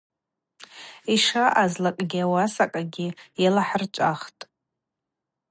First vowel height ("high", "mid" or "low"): high